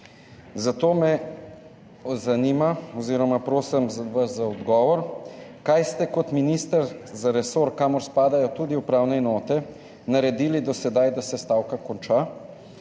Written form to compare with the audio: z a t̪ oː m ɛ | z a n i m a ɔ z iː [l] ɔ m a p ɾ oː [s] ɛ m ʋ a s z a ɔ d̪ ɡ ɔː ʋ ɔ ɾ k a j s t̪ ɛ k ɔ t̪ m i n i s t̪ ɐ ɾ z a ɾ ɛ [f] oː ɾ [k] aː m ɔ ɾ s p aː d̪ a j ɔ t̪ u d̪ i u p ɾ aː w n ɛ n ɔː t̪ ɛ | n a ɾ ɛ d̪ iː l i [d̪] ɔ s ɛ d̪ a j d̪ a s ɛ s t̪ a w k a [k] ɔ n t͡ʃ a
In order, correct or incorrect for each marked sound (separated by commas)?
incorrect, correct, incorrect, correct, correct, correct